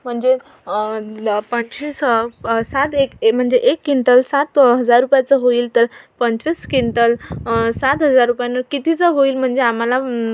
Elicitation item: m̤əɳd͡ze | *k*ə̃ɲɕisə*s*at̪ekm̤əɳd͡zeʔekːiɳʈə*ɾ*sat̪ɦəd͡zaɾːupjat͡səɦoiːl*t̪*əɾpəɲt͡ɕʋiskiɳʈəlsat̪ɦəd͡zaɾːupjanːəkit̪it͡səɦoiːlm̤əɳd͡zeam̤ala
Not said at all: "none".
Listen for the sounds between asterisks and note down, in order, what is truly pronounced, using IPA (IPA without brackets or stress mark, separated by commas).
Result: p, s, l, t̪